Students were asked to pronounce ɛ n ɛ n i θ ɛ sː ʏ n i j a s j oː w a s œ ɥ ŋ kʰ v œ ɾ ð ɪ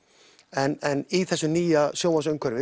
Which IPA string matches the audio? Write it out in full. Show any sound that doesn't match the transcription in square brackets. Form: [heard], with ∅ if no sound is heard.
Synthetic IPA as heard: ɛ n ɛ n i θ ɛ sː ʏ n [iː] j a s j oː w a s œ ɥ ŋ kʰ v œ ɾ [v] ɪ